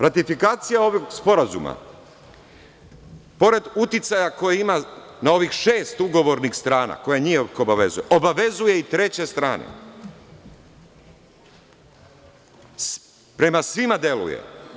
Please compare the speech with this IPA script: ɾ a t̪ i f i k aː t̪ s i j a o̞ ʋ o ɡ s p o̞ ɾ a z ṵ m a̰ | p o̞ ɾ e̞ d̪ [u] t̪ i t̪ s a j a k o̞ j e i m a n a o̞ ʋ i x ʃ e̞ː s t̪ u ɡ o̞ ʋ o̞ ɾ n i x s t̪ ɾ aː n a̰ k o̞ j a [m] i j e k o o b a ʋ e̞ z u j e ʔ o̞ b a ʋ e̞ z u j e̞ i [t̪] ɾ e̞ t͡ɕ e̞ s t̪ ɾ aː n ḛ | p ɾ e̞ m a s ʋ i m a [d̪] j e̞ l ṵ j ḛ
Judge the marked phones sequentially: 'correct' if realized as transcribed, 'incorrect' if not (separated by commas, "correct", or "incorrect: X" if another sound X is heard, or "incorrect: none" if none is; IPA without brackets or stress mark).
correct, incorrect: ɲ, correct, correct